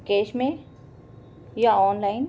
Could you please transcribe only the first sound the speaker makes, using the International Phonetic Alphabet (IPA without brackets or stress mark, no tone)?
k